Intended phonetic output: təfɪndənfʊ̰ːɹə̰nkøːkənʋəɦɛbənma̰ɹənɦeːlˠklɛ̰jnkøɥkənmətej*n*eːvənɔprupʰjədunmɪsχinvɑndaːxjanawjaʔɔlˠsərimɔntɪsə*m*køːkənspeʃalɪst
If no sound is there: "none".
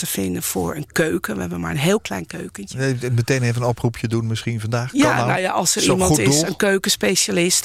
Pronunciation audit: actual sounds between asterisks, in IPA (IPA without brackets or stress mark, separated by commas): n, n